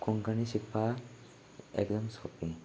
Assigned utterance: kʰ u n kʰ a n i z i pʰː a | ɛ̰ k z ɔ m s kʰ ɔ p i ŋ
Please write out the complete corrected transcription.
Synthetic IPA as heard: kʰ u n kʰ a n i s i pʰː a | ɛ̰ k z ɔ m s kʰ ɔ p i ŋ